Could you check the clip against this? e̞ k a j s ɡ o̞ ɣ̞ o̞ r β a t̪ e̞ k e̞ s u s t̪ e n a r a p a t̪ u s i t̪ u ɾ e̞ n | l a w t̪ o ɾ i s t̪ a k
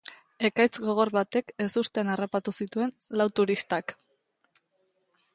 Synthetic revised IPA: e̞ k a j t͡s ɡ o̞ ɣ̞ o̞ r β a t̪ e̞ k e̞ s u s t̪ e n a r a p a t̪ u s i t̪ u e̞ n | l a w t̪ u ɾ i s t̪ a k